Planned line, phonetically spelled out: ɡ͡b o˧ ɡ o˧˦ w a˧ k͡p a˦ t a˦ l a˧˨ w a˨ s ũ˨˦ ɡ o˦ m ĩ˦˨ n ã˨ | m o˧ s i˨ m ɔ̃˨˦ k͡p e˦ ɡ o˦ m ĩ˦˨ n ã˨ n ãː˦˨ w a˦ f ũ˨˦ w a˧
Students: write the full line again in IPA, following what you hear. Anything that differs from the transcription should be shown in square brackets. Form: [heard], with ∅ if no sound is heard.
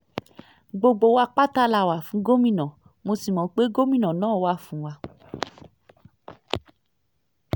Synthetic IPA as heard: ɡ͡b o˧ [ɡ͡b] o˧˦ w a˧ k͡p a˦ t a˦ l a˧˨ w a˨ [f] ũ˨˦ ɡ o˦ m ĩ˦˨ n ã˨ | m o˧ s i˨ m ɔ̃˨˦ k͡p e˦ ɡ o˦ m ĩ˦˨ n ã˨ n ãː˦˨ w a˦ f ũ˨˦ w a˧